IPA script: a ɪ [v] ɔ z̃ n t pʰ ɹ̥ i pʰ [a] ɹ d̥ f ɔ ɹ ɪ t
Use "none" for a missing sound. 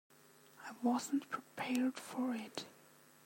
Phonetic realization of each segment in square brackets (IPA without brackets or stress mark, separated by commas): w, ɛ